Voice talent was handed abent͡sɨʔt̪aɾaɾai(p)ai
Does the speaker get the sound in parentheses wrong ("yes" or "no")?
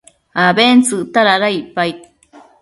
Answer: no